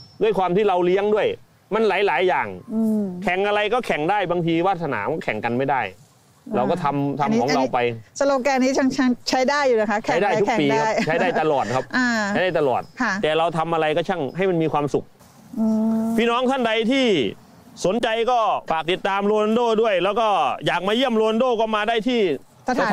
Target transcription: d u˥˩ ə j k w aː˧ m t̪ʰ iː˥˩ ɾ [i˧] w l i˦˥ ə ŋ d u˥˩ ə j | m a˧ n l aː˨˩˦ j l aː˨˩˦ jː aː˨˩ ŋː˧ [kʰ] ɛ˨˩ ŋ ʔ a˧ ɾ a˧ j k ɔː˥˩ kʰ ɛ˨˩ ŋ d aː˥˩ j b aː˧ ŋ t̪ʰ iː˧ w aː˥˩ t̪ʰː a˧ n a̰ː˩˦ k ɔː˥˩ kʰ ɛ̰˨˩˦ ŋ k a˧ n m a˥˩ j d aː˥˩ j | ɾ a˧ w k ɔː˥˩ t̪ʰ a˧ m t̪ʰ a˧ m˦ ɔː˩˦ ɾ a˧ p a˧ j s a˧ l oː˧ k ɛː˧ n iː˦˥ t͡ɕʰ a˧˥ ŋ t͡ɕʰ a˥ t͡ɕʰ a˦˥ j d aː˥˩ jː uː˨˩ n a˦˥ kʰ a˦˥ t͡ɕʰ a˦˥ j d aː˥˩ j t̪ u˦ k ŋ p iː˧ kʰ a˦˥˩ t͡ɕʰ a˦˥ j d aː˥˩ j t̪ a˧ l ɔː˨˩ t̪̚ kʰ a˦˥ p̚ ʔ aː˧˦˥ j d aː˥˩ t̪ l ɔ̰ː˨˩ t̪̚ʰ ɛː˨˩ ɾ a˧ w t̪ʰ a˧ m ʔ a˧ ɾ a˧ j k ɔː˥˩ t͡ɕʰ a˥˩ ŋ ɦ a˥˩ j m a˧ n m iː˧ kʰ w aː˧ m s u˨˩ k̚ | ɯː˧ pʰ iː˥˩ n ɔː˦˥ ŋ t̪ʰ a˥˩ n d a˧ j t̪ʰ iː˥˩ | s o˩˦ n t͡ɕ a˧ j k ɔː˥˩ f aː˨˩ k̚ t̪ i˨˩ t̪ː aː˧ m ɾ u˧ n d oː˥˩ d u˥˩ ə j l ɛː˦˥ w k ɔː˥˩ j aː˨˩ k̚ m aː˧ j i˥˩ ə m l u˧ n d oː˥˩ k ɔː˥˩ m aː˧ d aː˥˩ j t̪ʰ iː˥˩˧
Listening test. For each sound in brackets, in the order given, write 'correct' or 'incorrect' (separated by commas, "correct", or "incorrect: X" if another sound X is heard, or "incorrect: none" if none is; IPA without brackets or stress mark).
incorrect: a˧, correct